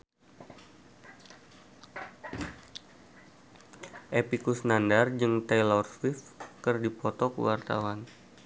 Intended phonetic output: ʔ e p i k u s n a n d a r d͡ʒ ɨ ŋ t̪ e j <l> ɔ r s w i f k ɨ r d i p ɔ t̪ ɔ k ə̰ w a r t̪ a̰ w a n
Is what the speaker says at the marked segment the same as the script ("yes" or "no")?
yes